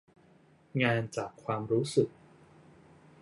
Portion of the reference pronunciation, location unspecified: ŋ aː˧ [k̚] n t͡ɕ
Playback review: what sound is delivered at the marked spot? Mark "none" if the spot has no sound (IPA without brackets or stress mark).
none